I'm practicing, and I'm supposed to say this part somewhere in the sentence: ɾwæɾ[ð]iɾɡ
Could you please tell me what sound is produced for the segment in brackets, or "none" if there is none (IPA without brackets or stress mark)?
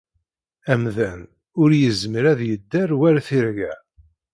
θ